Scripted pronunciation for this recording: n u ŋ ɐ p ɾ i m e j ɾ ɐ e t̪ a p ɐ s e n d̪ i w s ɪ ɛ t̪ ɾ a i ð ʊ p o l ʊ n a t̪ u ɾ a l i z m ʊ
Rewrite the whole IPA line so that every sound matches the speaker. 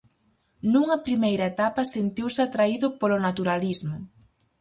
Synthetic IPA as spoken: n u ŋ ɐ p ɾ i m e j ɾ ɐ e t̪ a p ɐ s e n t̪ i w s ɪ a t̪ ɾ a i ð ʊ p o l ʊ n a t̪ u ɾ a l i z m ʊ